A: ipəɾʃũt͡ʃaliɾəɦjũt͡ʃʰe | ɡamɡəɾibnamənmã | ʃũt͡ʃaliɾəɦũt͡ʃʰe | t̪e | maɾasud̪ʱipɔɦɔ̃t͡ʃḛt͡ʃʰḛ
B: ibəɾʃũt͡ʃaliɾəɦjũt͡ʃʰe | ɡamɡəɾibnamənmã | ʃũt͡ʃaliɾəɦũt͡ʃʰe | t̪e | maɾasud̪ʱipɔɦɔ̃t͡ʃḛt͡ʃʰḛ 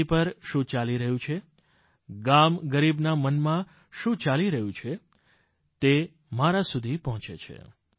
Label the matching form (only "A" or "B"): A